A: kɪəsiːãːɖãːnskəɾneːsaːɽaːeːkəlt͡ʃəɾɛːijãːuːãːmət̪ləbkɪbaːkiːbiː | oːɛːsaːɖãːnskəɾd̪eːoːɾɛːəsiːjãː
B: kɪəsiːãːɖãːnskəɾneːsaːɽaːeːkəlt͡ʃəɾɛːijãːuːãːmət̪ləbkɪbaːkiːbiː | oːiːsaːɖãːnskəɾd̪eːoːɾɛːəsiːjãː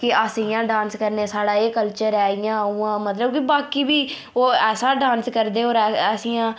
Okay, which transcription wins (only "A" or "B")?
A